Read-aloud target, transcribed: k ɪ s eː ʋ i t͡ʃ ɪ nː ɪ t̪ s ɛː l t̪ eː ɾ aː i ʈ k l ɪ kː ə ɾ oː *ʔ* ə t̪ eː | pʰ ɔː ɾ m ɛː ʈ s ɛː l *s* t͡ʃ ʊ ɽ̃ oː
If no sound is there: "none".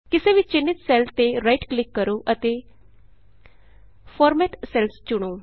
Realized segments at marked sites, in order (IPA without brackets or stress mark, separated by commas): ʔ, s